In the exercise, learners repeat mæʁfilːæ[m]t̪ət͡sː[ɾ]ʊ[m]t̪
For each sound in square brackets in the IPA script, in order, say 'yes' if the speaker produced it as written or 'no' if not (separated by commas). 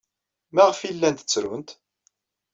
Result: no, yes, no